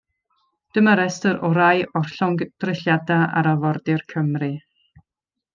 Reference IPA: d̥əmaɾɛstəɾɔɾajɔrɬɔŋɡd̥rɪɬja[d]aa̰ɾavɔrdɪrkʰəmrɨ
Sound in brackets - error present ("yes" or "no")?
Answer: no